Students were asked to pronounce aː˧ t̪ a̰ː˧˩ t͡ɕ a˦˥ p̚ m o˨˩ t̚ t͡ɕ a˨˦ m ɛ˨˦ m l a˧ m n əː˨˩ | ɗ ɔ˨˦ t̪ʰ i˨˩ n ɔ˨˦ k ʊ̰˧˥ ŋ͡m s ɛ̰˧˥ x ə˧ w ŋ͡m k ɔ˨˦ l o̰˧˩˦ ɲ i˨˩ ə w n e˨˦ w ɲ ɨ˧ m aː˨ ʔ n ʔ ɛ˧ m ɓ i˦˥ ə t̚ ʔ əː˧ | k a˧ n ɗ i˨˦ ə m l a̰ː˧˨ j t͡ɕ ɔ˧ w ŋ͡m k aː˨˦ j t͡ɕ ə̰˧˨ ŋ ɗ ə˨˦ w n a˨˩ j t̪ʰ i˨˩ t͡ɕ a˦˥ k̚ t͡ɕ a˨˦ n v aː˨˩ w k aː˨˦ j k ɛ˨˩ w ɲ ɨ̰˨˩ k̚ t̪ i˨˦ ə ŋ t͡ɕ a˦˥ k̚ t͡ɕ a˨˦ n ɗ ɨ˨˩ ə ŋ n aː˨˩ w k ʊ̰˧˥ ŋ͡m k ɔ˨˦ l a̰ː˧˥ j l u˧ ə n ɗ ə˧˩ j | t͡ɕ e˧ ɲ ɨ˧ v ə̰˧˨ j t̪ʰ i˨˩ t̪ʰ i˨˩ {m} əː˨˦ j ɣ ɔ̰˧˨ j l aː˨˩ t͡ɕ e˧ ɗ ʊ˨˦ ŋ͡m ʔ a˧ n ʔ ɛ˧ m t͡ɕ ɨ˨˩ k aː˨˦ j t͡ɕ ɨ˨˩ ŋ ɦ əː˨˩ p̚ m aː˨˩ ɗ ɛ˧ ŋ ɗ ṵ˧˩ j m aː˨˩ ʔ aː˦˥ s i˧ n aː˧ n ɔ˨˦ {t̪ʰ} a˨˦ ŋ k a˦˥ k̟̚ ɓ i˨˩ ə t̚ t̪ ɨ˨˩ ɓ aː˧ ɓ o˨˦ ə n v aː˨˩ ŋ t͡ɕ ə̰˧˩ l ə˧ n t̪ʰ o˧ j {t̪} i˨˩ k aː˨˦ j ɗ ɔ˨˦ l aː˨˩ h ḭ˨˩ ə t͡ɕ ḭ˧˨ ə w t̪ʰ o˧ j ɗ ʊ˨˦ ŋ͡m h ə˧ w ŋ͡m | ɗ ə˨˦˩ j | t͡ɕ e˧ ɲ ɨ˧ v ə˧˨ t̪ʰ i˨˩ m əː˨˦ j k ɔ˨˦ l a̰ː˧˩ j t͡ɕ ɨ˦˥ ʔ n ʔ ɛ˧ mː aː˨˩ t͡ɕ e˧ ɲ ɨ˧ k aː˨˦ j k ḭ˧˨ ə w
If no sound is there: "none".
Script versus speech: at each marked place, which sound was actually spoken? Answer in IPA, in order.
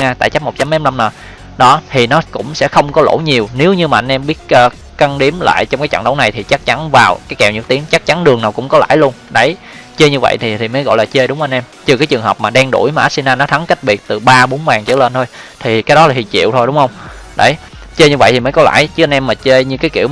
m, t̪ʰ, t̪ʰ

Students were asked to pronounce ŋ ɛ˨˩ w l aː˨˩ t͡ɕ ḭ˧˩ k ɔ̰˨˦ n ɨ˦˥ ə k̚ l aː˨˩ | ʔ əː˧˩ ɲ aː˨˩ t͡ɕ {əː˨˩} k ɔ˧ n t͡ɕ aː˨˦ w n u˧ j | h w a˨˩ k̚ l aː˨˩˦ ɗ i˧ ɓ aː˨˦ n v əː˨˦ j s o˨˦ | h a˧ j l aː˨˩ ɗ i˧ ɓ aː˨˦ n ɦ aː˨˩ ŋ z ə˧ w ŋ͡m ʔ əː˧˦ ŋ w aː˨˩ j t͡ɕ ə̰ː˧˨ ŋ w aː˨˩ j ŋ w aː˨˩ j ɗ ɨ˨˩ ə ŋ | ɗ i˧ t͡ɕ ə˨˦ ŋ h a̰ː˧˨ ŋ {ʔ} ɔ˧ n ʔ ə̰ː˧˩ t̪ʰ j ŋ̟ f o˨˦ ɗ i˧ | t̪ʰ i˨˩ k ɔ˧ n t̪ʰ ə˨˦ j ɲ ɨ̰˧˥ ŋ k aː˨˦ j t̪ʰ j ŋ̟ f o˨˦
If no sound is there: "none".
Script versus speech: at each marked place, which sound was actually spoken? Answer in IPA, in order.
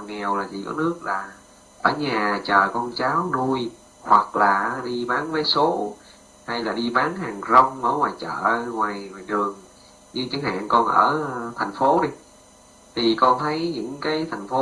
əː˨˩, k

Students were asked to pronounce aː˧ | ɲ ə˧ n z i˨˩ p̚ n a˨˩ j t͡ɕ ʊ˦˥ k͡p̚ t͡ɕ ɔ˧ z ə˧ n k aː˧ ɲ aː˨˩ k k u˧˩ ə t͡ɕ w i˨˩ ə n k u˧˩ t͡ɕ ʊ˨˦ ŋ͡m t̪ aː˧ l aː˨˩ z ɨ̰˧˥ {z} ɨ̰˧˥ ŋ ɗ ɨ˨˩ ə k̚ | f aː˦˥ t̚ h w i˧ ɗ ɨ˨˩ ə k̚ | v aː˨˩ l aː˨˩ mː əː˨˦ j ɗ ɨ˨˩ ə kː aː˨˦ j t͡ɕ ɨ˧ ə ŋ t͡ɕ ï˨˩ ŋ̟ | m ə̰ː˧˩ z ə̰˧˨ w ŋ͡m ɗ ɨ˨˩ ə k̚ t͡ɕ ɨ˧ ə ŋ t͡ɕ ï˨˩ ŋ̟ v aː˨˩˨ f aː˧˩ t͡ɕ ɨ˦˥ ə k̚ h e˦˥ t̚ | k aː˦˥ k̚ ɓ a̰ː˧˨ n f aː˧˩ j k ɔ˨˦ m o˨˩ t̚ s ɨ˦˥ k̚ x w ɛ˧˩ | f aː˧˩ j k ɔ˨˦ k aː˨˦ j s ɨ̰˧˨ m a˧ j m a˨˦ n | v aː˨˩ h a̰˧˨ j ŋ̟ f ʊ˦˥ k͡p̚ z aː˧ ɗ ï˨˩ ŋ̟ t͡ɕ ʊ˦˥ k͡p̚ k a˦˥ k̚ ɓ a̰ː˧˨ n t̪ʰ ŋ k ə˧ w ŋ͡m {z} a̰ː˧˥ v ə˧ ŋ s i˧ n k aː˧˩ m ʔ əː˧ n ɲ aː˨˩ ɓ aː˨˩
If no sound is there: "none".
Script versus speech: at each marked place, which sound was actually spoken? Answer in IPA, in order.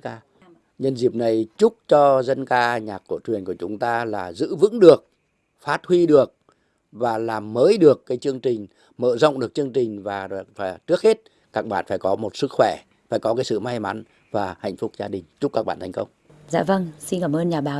v, z

